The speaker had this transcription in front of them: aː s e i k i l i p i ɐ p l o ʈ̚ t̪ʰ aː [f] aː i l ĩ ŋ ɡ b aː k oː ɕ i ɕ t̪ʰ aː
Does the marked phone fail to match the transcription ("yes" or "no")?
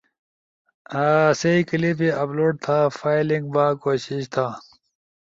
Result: no